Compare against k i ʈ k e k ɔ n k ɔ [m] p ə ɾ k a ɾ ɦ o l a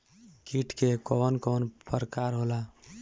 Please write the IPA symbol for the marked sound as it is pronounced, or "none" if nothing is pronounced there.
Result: n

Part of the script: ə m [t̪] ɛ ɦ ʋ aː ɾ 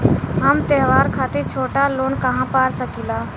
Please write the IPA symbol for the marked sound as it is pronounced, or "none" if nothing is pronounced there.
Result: t̪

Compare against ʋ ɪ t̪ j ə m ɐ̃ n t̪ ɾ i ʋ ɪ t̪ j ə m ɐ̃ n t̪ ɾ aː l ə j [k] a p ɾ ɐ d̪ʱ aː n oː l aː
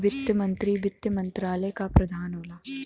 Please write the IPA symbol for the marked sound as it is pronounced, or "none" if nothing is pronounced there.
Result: k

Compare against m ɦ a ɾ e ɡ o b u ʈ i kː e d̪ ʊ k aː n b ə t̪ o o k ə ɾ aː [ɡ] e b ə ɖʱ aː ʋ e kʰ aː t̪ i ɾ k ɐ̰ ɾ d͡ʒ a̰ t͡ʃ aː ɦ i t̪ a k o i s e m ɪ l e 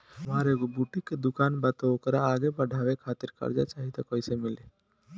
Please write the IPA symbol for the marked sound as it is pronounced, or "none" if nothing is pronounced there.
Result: ɡ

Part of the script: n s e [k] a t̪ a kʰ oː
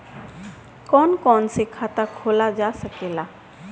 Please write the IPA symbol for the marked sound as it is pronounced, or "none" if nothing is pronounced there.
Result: kʰ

